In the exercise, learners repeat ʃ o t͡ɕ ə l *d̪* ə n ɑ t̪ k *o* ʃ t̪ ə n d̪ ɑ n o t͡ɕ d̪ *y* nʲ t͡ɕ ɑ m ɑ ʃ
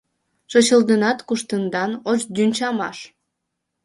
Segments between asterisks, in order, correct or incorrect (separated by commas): correct, incorrect, correct